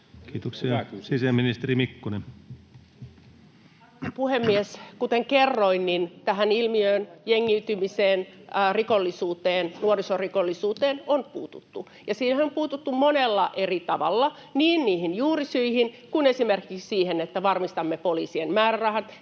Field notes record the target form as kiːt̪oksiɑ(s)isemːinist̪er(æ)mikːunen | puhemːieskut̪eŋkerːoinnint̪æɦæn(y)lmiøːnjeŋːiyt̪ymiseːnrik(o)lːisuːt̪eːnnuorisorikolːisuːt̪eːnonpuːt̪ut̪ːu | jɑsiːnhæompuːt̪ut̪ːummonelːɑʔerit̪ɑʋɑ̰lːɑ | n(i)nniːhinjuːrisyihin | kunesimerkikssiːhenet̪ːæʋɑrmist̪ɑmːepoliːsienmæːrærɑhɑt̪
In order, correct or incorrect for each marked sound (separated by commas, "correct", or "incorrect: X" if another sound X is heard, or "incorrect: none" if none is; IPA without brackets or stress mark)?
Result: correct, incorrect: i, incorrect: i, correct, incorrect: iː